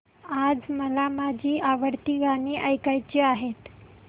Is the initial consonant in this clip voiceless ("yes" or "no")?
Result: no